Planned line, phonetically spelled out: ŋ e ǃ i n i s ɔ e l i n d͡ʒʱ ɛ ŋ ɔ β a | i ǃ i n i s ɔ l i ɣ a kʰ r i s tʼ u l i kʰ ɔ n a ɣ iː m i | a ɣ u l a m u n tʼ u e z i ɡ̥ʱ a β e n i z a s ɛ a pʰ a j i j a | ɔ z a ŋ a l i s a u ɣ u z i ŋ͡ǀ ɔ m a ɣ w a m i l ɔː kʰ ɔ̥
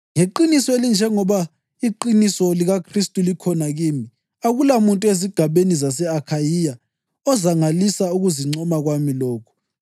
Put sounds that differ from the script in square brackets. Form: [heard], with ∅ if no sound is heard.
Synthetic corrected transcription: ŋ e ǃ i n i s ɔ e l i n d͡ʒʱ ɛ ŋ ɔ β a | i ǃ i n i s ɔ l i ɣ a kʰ r i s tʼ u l i kʰ ɔ n a ɣ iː m i | a ɣ u l a m u n tʼ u e z i ɡ̥ʱ a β e n i z a s ɛ a [kʰ] a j i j a | ɔ z a ŋ a l i s a u ɣ u z i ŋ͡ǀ ɔ m a ɣ w a m i l ɔː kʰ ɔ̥